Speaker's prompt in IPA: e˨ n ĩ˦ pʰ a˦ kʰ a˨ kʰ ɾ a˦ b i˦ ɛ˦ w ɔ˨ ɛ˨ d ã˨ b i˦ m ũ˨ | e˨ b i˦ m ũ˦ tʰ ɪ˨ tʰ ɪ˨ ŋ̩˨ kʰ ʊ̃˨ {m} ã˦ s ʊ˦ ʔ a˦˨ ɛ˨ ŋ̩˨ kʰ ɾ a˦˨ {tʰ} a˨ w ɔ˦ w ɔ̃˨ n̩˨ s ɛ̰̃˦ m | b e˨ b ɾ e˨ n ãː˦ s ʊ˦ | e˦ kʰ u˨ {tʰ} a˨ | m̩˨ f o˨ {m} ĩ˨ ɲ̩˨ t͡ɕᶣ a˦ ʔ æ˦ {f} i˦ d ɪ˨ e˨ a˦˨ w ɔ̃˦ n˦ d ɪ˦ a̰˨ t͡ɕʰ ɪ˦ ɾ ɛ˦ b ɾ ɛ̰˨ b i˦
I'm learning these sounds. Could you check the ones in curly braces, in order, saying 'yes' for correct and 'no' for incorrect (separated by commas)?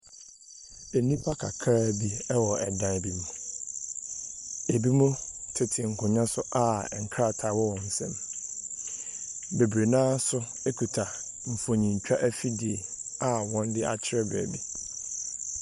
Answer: no, yes, yes, no, yes